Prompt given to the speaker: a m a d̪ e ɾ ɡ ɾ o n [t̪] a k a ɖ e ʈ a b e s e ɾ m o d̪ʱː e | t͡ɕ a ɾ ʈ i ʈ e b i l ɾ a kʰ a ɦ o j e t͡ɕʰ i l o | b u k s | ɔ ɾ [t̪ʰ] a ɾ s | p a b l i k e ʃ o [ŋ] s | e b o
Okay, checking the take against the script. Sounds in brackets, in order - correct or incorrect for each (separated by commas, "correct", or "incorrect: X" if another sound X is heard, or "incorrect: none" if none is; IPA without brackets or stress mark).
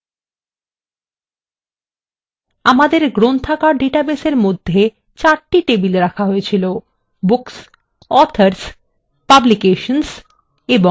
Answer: incorrect: t̪ʰ, correct, incorrect: n